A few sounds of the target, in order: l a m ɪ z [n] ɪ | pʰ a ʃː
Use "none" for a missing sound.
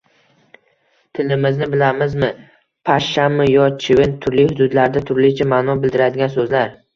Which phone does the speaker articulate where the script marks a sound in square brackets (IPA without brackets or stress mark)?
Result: m